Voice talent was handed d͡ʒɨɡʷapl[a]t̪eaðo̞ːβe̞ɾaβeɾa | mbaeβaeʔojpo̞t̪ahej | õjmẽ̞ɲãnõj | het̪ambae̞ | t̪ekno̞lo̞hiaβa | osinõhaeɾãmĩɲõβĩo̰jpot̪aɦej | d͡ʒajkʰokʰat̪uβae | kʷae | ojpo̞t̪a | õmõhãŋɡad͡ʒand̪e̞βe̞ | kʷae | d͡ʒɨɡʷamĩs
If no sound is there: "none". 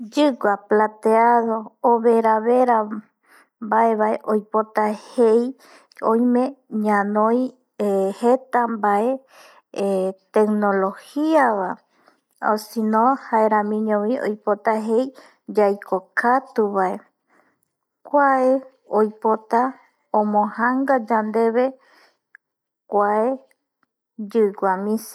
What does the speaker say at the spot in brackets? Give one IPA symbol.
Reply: a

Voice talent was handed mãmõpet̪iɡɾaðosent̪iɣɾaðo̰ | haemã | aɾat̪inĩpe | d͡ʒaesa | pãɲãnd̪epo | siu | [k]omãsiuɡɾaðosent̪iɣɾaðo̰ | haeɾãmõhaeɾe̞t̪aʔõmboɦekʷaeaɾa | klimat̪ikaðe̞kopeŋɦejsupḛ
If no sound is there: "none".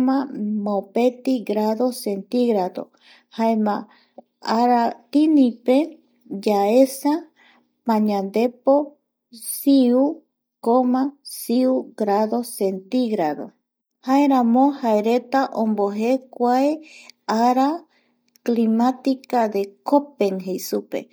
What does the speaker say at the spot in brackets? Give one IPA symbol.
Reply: k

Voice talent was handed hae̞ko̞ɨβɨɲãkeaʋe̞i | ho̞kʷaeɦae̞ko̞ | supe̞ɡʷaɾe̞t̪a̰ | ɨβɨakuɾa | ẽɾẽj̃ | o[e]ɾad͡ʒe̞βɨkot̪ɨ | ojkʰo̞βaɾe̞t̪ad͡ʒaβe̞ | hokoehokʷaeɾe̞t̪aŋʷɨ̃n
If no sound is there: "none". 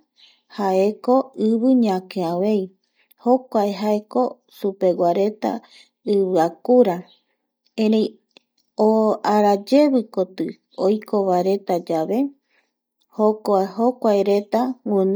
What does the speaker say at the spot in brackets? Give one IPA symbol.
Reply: a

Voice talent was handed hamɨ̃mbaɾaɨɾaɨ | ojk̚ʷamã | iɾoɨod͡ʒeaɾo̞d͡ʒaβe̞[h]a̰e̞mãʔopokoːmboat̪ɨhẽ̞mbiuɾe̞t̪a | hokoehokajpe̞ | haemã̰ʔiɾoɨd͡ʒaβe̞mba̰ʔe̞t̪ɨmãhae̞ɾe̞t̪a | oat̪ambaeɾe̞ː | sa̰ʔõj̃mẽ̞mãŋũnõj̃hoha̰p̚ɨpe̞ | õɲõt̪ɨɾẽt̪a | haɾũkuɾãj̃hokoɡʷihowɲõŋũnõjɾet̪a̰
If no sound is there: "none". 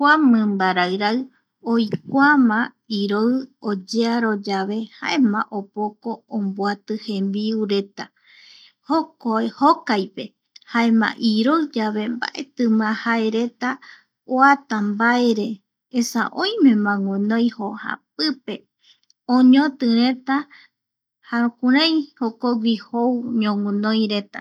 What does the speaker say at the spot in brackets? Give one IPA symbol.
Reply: h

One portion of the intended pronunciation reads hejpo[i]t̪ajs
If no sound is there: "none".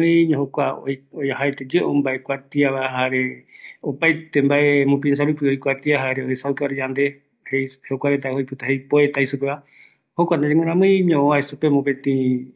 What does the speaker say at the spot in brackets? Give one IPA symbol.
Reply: e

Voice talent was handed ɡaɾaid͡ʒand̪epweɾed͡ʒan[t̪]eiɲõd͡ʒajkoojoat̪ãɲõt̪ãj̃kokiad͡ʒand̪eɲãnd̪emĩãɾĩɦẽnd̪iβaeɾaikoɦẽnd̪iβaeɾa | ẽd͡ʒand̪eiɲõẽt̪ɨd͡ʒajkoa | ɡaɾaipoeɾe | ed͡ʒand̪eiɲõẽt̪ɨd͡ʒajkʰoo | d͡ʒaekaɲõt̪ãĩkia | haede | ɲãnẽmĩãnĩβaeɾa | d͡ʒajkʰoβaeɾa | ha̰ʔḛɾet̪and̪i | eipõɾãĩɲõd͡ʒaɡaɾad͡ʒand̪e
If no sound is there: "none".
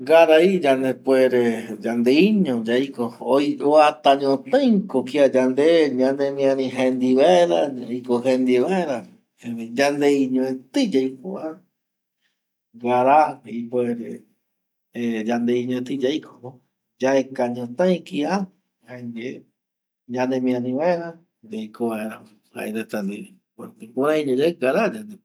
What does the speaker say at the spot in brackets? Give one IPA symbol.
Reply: d̪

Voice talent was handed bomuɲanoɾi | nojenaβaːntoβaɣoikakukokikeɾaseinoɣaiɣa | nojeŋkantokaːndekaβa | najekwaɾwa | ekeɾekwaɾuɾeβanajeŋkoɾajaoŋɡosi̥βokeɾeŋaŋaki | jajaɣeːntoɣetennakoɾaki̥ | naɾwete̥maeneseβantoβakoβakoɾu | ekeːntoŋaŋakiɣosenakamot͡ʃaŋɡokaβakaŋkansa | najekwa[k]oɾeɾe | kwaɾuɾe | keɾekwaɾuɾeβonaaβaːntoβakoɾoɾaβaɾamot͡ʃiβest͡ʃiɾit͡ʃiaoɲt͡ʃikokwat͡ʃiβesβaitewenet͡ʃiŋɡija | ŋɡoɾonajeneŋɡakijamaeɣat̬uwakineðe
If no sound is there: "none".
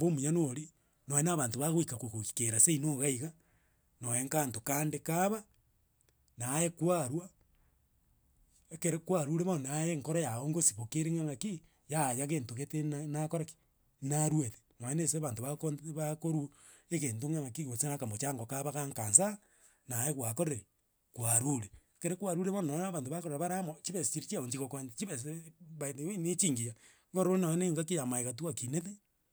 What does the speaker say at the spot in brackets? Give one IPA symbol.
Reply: k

